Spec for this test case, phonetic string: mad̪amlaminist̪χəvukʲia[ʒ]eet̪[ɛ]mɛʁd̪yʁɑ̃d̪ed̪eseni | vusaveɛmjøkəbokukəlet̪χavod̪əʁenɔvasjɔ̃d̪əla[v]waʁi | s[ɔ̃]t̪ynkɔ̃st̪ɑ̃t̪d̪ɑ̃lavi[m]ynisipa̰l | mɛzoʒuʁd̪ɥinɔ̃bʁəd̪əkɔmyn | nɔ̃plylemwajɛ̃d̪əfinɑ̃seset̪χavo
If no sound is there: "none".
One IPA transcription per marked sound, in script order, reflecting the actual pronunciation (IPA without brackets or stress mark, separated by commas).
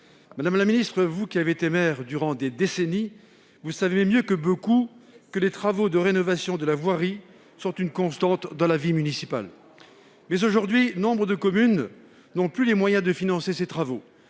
v, e, v, ɔ̃, m